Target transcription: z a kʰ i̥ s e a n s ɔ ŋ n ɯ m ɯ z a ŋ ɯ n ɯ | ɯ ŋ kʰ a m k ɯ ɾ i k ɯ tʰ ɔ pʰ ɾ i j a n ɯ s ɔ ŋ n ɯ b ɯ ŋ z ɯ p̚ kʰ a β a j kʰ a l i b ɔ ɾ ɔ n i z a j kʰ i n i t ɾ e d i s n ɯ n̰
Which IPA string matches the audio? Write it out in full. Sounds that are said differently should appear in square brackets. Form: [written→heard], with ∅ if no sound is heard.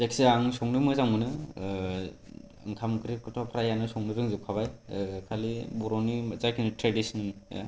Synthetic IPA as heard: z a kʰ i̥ s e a [n→ŋ] s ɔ ŋ n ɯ m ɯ z a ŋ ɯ n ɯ | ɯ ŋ kʰ a m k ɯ ɾ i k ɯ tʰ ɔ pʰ ɾ [i→a] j a n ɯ s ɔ ŋ n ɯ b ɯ ŋ z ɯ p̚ kʰ a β a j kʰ a l i b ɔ ɾ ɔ n i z a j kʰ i n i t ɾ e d i s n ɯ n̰